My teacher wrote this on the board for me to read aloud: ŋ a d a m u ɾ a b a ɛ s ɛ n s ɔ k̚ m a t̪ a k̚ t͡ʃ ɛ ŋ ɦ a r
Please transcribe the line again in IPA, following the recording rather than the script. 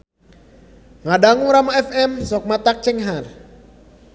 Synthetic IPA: ŋ a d a ŋ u ɾ a m a ɛ f ɛ m s ɔ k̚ m a t̪ a k̚ t͡ʃ ɛ ŋ ɦ a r